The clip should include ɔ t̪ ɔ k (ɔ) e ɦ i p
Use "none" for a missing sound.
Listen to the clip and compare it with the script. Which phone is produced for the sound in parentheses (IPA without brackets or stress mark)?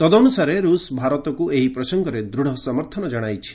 u